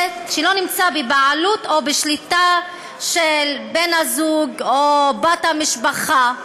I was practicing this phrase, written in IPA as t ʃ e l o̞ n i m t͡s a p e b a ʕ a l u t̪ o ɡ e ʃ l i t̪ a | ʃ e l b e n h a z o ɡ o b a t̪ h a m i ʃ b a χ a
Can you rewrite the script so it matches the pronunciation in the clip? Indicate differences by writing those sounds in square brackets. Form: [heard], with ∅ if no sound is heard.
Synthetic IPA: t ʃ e l o̞ n i m t͡s a [b] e b a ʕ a l u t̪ o [b] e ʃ l i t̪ a | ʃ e l b e n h a z [u] ɡ o b a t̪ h a m i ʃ b a χ a